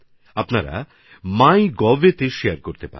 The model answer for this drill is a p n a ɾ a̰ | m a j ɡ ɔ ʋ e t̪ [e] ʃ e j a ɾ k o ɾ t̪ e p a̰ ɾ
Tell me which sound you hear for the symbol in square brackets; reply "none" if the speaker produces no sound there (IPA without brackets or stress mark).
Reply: e